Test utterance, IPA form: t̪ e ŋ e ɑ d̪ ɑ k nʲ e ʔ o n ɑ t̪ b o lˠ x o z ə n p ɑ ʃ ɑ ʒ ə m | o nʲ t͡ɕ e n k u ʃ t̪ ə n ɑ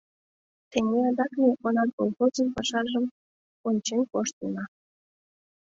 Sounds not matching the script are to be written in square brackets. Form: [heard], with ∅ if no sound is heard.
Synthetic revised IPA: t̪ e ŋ e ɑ d̪ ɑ k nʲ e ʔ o n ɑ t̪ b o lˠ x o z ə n p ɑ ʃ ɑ ʒ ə m | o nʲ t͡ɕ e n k [o] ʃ t̪ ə n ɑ

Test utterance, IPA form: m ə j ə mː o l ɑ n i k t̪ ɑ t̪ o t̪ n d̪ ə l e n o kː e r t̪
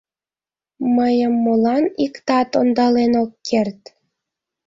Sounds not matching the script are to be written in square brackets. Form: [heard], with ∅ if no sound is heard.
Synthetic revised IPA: m ə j ə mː o l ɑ n i k t̪ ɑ t̪ o [∅] n d̪ [ɑ] l e n o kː e r t̪

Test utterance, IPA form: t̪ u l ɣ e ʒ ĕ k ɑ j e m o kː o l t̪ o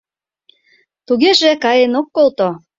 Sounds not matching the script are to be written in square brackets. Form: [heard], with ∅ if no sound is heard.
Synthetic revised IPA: t̪ u [∅] ɣ e ʒ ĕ k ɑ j e [n] o kː o l t̪ o

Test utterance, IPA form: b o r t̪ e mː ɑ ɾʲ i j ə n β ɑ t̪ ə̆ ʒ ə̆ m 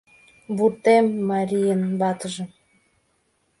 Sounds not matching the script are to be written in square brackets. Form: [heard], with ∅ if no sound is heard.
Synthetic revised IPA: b [u] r t̪ e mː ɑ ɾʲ i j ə n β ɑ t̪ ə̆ ʒ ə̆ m

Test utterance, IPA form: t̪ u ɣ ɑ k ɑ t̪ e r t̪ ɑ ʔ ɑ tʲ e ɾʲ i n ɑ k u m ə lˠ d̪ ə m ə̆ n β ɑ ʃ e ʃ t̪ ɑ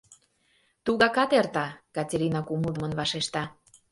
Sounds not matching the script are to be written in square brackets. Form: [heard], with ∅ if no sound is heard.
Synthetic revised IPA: t̪ u ɣ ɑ k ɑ t̪ e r t̪ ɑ [k] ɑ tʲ e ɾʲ i n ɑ k u m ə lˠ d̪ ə m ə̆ n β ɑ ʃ e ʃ t̪ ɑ

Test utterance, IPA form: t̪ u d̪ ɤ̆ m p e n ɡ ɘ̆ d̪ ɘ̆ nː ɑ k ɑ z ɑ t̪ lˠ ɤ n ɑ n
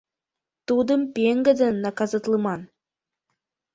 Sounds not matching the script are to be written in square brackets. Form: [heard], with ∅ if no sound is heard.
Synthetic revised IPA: t̪ u d̪ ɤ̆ m p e [ŋ] ɡ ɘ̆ d̪ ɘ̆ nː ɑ k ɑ z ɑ t̪ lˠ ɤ [m] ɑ n

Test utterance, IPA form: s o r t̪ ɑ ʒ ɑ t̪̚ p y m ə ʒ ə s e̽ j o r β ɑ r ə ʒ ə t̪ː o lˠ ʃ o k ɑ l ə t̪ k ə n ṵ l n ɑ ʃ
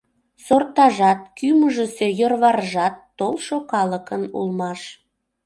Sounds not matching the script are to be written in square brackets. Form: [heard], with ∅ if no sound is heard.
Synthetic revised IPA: s o r t̪ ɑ ʒ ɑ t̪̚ [k] y m ə ʒ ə s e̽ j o r β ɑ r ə ʒ [ɑ] t̪ː o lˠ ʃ o k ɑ l ə [∅] k ə n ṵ l [m] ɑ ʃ

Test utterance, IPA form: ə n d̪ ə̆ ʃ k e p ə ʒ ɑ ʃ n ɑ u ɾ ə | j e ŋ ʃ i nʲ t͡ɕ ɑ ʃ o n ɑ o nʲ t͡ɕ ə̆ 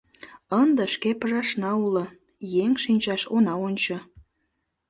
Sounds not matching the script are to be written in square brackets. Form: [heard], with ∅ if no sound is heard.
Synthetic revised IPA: ə n d̪ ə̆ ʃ k e p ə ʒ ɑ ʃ n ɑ u [l] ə | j e ŋ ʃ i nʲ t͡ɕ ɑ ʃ o n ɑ o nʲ t͡ɕ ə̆

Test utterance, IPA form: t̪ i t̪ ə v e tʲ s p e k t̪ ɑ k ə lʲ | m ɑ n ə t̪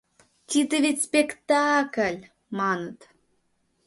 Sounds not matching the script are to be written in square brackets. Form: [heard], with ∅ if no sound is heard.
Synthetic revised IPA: t̪ i [d̪] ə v e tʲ s p e k t̪ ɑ k ə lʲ | m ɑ n ə t̪

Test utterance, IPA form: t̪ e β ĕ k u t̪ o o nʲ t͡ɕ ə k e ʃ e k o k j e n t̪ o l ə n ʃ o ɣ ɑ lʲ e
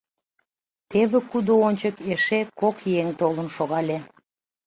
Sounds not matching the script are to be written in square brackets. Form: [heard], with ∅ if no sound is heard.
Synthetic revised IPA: t̪ e β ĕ k u [d̪] o o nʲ t͡ɕ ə k e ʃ e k o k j e [ŋ] t̪ o l ə n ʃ o ɣ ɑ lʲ e

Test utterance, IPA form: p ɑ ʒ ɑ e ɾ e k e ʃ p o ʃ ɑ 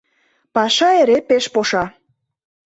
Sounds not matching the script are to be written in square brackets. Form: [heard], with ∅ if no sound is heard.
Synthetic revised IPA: p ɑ [ʃ] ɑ e ɾ e [p] e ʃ p o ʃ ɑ

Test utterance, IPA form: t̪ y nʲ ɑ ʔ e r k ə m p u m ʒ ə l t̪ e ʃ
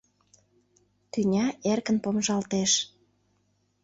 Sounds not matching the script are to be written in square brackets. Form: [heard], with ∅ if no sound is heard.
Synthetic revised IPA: t̪ y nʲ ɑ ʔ e r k ə [n] p [o] m ʒ [ɑ] l t̪ e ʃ

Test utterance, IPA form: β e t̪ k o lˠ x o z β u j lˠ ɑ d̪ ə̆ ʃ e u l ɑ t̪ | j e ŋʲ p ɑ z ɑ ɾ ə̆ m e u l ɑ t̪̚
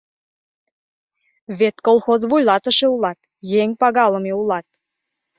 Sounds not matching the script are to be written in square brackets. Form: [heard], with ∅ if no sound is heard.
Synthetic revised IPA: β e t̪ k o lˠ x o z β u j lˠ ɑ [t̪] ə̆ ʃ e u l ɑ t̪ | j e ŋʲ p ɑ [ɣ] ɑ [l] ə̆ m e u l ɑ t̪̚

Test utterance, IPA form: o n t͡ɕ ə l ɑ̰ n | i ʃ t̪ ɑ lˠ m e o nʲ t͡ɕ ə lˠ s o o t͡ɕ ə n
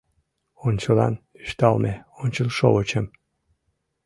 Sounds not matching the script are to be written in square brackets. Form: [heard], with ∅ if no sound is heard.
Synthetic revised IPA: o n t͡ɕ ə l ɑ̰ n | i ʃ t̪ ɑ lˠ m e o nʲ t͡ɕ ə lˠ [ʃ] o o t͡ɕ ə [m]

